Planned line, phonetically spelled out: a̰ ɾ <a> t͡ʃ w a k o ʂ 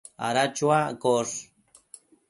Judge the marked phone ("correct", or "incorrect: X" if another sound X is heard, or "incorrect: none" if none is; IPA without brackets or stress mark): correct